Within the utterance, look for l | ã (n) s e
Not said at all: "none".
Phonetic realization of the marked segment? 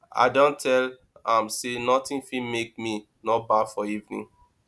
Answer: m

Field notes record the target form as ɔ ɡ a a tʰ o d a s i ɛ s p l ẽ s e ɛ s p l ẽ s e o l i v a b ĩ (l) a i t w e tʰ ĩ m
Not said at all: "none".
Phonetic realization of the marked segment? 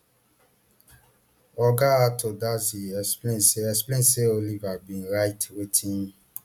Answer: ɾ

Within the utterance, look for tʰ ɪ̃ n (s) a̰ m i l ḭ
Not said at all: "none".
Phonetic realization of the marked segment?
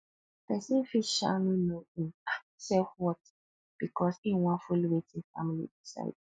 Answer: f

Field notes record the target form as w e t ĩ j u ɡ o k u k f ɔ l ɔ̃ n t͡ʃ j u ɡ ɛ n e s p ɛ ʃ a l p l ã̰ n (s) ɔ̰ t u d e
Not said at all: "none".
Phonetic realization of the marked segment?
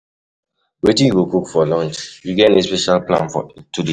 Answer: f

